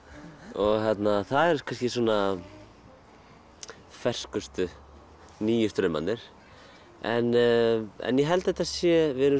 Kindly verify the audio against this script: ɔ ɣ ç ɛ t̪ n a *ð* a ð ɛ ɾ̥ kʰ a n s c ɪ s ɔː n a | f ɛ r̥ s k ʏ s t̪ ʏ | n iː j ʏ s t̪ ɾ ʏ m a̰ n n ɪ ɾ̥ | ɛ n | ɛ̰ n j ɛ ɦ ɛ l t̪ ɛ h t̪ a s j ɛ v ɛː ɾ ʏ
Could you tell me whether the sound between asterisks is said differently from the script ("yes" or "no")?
yes